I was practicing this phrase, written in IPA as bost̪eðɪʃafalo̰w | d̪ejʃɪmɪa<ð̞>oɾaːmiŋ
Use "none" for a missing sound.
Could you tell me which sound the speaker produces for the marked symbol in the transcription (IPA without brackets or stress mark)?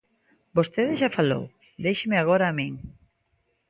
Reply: ɣ̞